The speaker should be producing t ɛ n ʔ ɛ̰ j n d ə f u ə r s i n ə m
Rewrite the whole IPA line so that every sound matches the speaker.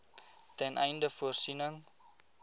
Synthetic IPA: t ɛ n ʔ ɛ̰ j n d ə f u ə r s i n ə ŋ